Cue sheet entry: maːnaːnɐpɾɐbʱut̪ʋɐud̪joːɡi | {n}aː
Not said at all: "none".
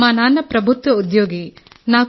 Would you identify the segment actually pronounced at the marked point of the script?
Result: n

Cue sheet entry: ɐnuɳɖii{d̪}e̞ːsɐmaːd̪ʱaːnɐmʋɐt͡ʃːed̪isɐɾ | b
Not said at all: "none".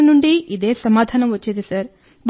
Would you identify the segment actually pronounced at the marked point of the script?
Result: d̪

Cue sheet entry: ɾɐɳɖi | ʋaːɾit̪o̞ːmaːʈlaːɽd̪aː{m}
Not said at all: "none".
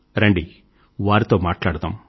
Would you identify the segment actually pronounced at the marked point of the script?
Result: m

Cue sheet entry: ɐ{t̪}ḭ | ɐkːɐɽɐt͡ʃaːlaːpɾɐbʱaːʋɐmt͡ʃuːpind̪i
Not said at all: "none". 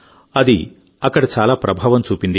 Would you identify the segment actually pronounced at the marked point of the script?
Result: d̪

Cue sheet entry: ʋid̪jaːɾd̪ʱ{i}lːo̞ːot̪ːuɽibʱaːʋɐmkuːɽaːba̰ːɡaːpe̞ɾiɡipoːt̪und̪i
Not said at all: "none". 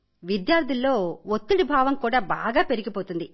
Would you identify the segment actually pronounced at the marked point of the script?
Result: i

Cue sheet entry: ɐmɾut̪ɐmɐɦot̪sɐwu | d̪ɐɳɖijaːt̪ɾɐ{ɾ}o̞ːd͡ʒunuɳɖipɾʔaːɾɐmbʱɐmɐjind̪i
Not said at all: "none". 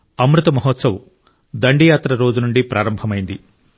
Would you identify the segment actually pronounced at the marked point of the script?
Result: ɾ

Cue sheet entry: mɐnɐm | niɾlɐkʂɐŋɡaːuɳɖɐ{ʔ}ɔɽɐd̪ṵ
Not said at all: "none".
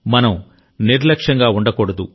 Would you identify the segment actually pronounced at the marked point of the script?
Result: k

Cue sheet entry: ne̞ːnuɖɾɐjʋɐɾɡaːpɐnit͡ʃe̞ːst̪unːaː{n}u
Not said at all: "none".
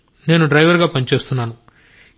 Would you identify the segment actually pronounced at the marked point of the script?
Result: n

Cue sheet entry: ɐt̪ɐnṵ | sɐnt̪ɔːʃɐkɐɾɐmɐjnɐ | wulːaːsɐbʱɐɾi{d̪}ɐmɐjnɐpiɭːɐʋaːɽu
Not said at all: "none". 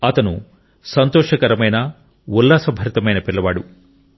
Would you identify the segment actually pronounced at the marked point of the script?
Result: t̪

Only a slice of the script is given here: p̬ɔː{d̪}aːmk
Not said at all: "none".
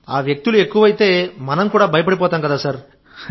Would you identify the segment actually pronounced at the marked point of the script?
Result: t̪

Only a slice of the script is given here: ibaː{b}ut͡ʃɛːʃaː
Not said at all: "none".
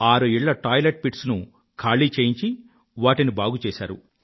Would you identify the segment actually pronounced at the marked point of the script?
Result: ɡ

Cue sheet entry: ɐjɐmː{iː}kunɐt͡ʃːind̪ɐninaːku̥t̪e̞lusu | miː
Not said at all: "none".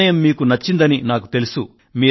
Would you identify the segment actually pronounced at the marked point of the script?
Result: iː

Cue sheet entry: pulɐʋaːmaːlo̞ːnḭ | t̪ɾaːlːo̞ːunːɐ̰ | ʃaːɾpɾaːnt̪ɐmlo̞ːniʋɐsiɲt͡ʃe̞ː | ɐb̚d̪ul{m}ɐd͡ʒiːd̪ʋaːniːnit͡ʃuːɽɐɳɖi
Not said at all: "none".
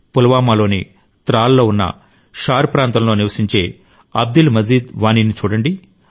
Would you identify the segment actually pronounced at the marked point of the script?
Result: m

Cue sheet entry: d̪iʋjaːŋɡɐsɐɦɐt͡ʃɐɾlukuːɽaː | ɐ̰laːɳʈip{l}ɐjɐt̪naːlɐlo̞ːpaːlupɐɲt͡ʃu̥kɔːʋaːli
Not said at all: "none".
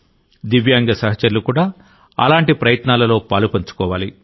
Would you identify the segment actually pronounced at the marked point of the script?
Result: ɾ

